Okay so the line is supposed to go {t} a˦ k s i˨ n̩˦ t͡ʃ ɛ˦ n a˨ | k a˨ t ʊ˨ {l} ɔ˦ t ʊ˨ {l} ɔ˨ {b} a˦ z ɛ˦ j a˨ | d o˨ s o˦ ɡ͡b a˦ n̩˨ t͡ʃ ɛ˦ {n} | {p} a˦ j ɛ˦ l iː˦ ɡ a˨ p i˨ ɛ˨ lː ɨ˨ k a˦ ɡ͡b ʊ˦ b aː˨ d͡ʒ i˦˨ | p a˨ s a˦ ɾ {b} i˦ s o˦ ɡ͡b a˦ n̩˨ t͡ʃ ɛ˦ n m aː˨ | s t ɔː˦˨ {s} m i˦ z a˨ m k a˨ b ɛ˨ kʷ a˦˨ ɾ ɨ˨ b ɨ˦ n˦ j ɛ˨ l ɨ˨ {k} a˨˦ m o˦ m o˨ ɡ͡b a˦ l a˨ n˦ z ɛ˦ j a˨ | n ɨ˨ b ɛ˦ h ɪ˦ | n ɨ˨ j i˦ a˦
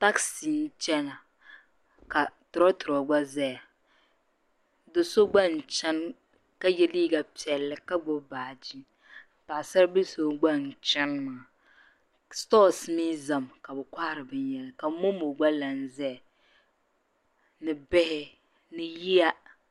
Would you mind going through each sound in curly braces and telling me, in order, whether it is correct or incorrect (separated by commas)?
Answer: correct, incorrect, incorrect, incorrect, correct, incorrect, correct, correct, correct